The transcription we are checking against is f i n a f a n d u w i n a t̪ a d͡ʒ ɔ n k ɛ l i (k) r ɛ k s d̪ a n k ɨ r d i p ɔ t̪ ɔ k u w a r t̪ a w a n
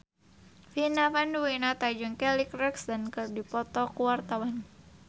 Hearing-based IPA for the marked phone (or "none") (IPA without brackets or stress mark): k